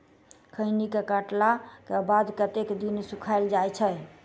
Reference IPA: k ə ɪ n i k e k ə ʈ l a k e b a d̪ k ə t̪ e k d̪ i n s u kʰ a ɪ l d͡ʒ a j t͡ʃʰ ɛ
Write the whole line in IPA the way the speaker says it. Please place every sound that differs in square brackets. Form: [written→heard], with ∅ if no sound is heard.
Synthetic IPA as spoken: [k→kʰ] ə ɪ n i k e k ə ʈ l a k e b a d̪ k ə t̪ e k d̪ i n s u kʰ a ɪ l d͡ʒ a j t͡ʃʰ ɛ